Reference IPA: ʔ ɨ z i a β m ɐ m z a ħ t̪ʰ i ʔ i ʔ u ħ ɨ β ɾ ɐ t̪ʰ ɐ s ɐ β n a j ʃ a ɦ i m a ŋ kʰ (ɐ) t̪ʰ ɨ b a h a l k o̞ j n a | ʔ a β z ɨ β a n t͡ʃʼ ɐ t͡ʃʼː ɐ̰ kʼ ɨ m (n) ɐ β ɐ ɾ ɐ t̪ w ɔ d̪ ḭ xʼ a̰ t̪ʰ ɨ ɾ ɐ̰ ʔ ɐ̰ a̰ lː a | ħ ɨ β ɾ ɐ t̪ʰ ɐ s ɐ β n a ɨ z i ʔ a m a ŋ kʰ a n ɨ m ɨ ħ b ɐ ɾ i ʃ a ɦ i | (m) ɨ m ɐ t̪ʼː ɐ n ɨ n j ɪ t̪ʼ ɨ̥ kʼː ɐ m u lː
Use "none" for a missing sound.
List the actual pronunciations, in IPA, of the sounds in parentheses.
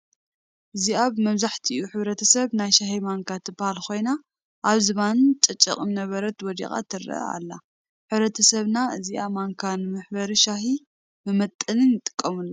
a, n, m

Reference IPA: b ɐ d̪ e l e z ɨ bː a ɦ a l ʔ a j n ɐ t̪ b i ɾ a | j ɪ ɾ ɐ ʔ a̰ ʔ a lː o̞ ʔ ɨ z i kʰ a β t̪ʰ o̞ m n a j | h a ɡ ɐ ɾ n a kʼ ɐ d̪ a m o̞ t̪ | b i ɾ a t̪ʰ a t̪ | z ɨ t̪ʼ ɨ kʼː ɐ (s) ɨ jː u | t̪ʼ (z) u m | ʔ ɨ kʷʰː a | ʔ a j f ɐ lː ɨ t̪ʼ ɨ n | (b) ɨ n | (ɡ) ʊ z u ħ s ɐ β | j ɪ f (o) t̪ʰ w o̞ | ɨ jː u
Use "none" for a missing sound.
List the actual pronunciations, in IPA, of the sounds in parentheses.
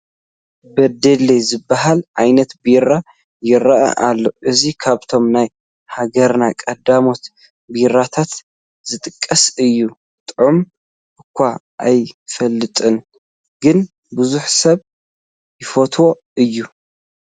s, ʕ, ɡ, b, o

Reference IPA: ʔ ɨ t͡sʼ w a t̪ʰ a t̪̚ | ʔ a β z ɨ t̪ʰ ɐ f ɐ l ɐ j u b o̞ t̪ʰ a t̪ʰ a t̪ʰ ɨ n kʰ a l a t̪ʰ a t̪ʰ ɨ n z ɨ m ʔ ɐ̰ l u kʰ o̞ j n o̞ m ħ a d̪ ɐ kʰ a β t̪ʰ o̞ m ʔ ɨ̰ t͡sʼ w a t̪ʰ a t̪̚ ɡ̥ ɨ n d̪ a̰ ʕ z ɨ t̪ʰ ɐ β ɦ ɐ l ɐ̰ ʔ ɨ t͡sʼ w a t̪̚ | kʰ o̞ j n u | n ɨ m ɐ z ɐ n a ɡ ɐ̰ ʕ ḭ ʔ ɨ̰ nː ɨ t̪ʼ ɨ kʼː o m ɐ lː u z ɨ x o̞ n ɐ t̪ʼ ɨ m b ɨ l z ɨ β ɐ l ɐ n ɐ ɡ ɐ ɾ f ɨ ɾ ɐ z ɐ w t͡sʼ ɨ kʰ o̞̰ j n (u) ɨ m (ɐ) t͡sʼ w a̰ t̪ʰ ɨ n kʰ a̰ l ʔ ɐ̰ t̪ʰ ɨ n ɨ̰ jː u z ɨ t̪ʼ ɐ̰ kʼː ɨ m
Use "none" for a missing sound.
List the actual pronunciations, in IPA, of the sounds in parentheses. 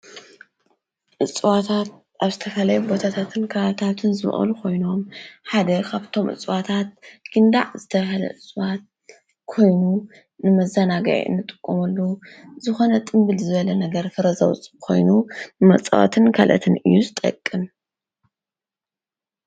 u, ɐ

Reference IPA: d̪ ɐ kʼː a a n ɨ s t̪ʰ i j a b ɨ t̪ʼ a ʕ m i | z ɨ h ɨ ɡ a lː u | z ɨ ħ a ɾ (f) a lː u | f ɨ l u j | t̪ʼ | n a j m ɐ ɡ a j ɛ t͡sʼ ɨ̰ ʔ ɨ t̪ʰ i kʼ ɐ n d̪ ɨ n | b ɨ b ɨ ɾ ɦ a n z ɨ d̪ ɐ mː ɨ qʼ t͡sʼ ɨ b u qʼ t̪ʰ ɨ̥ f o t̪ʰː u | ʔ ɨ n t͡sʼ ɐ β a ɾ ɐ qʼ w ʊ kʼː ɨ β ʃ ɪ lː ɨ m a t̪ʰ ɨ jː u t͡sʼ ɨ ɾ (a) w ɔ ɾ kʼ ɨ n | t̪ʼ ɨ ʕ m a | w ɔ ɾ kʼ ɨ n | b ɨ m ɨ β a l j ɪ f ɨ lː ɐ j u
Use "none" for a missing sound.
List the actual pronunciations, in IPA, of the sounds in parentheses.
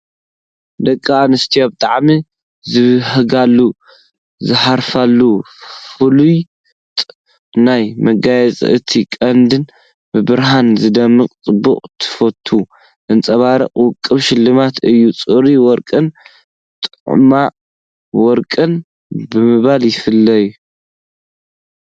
f, i

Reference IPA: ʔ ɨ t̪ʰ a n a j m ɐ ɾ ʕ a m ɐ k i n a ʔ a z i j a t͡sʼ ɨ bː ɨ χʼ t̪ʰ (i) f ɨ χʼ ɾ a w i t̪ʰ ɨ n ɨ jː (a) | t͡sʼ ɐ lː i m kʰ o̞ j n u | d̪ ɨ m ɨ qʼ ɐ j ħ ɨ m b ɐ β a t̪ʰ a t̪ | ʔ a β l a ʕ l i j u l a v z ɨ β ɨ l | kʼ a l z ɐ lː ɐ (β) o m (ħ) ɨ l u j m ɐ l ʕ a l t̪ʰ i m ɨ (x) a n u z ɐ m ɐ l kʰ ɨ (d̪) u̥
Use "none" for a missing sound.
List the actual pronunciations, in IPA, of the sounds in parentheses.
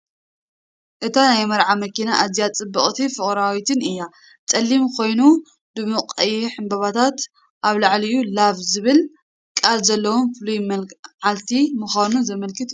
i, a, w, f, x, t̪

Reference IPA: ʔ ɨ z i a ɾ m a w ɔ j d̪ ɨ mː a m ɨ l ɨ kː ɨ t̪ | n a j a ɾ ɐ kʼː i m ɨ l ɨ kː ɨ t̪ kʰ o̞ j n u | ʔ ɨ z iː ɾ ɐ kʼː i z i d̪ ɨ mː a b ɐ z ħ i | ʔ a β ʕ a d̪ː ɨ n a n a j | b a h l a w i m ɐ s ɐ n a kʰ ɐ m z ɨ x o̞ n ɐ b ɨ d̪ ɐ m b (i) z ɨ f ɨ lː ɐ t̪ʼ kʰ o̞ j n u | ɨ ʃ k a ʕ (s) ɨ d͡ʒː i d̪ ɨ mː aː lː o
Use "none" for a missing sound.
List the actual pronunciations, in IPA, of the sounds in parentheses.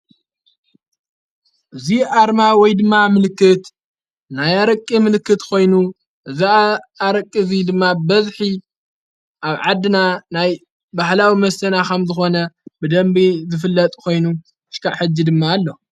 i, ħ

